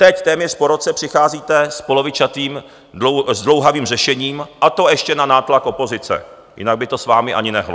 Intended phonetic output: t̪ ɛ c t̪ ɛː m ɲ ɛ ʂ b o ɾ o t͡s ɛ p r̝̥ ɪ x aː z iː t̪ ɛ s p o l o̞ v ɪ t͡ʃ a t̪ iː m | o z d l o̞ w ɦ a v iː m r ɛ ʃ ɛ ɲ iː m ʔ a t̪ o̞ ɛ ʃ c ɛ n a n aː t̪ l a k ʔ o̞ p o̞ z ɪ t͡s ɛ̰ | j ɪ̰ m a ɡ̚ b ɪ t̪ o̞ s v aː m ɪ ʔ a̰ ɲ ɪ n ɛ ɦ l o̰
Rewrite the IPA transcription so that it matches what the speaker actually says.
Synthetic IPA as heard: t̪ ɛ c t̪ ɛː m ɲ ɛ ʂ p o ɾ o t͡s ɛ p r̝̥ ɪ x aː z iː t̪ ɛ s p o l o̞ v ɪ t͡ʃ a t̪ iː m | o z d l o̞ w ɦ a v iː m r ɛ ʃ ɛ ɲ iː m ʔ a t̪ o̞ ɛ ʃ c ɛ n a n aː t̪ l a k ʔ o̞ p o̞ z ɪ t͡s ɛ̰ | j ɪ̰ n a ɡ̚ b ɪ t̪ o̞ s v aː m ɪ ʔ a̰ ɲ ɪ n ɛ ɦ l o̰

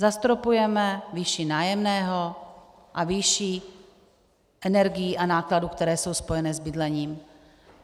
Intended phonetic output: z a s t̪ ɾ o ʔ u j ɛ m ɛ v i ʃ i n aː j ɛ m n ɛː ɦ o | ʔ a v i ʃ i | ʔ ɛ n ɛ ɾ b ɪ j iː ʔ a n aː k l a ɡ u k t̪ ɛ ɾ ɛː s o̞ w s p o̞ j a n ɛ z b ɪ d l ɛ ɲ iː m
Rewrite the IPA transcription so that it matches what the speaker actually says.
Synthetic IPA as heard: z a s t̪ ɾ o p u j ɛ m ɛ v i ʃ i n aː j ɛ m n ɛː ɦ o | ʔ a v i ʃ i | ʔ ɛ n ɛ ɾ ɡ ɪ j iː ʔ a n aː k l a d u k t̪ ɛ ɾ ɛː s o̞ w s p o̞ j ɛ n ɛ z b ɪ d l ɛ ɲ iː m

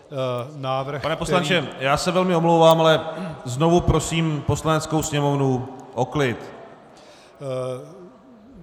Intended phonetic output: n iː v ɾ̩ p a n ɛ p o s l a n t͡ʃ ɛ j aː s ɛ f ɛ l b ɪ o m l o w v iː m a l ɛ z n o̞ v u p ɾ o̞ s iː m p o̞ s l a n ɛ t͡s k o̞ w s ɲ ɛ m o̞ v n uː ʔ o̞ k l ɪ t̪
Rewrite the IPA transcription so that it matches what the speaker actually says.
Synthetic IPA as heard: n aː v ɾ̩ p a n ɛ p o s l a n t͡ʃ ɛ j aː s ɛ v ɛ l m ɪ o m l o w v aː m a l ɛ z n o̞ v u p ɾ o̞ s iː m p o̞ s l a n ɛ t͡s k o̞ w s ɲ ɛ m o̞ v n u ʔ o̞ k l ɪ t̪

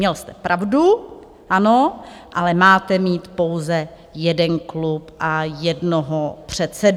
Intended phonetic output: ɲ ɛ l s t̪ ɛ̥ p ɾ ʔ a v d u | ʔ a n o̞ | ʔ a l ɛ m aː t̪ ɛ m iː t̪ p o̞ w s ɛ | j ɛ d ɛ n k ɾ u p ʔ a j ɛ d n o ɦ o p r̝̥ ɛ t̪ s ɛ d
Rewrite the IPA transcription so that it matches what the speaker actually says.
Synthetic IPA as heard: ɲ ɛ l s t̪ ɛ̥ p ɾ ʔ a v d u | ʔ a n o̞ | ʔ a l ɛ m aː t̪ ɛ m iː t̪ p o̞ w z ɛ | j ɛ d ɛ n k l u p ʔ a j ɛ d n o ɦ o p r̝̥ ɛ t̪ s ɛ d

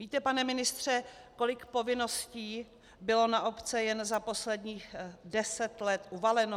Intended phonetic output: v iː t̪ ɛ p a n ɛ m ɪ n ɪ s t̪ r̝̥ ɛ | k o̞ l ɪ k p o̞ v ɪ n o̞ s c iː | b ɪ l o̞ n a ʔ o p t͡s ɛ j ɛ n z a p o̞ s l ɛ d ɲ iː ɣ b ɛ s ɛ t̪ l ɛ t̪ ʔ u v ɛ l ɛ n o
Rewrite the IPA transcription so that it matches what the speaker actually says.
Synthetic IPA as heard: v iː t̪ ɛ p a n ɛ m ɪ n ɪ s t̪ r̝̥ ɛ | k o̞ l ɪ k p o̞ v ɪ n o̞ s c iː | b ɪ l o̞ n a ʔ o p t͡s ɛ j ɛ n z a p o̞ s l ɛ d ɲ iː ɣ d ɛ s ɛ t̪ l ɛ t̪ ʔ u v a l ɛ n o

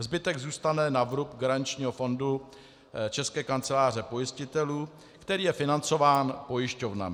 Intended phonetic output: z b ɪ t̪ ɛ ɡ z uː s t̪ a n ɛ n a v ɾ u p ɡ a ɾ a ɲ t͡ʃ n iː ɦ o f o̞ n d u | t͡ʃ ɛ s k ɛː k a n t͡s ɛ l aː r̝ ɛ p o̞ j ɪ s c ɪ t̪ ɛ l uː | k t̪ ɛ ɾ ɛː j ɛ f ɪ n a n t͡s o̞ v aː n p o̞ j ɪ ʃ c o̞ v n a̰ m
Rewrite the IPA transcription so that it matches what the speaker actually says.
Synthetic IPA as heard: z b ɪ t̪ ɛ ɡ z uː s t̪ a n ɛ n a v ɾ u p ɡ a ɾ a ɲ t͡ʃ ɲ iː ɦ o f o̞ n d u | t͡ʃ ɛ s k ɛː k a n t͡s ɛ l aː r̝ ɛ p o̞ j ɪ s c ɪ t̪ ɛ l uː | k t̪ ɛ ɾ iː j ɛ f ɪ n a n t͡s o̞ v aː n p o̞ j ɪ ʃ c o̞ v n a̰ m

